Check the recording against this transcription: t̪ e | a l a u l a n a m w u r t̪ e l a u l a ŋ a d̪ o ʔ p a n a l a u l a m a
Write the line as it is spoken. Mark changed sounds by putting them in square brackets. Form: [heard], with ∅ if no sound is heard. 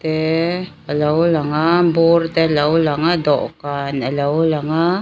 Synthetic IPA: t̪ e | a l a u l a [ŋ] a m [b] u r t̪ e l a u l a ŋ a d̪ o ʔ [k] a n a l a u l a [ŋ] a